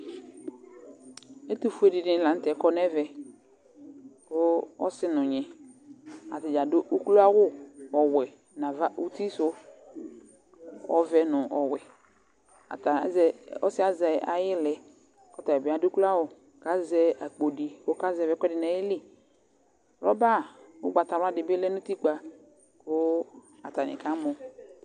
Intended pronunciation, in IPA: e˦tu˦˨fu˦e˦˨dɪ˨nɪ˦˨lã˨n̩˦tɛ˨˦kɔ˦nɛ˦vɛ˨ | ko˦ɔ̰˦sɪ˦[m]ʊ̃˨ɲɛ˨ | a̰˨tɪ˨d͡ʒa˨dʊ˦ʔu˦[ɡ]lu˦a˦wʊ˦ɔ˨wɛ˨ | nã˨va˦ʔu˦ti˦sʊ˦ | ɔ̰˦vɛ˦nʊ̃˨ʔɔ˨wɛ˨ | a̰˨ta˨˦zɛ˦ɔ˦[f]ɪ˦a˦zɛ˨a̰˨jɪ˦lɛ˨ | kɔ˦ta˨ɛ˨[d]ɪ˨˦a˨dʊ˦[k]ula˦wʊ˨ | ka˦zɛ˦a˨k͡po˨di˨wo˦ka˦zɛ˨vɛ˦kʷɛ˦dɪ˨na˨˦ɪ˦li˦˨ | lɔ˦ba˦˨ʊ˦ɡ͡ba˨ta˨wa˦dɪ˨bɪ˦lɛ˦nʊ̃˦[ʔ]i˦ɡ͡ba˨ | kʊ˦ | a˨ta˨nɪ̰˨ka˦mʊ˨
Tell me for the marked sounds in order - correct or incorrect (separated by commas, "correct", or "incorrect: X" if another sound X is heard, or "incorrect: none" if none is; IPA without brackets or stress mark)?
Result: incorrect: n, incorrect: k, incorrect: s, incorrect: b, correct, incorrect: t